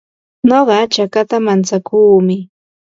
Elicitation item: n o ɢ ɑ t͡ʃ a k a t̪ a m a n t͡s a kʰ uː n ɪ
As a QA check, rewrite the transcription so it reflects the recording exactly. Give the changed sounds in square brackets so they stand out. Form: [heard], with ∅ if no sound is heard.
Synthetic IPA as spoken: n o ɢ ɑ t͡ʃ a k a t̪ a m a n t͡s a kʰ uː [m] ɪ